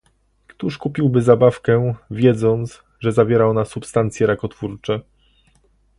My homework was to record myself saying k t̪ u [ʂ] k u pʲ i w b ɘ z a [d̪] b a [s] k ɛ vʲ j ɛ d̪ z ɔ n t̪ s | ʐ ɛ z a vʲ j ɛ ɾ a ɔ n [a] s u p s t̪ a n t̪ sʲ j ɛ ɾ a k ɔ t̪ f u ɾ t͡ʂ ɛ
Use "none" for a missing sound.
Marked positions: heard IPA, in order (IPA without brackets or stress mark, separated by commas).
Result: ʂ, none, f, a